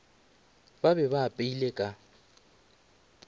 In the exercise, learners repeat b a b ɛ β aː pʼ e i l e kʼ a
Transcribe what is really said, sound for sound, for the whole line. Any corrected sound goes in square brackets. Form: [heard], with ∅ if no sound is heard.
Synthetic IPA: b a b ɛ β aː pʼ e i l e kʼ a